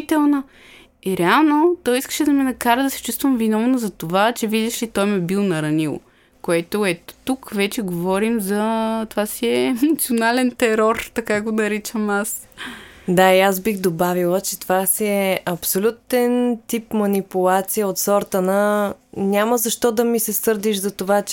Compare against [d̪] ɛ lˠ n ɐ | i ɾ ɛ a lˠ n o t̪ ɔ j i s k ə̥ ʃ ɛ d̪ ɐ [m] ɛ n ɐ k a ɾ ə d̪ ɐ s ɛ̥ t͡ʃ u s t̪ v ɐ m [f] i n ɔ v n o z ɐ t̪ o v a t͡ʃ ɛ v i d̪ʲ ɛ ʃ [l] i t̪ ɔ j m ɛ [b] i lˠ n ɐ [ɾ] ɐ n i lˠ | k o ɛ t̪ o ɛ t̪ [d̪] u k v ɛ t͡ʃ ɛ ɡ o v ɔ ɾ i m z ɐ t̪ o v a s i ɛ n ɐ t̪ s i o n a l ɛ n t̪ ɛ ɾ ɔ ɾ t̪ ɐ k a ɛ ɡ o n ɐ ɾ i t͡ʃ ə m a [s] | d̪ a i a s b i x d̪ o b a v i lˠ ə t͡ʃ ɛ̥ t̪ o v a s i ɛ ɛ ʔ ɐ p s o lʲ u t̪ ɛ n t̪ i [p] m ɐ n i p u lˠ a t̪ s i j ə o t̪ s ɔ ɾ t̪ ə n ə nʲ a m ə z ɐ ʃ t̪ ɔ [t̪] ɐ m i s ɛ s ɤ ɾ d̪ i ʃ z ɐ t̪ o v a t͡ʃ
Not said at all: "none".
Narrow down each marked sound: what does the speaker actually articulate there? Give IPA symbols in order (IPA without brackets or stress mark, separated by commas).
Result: t̪, m, v, l, b, ɾ, t̪, s, p, d̪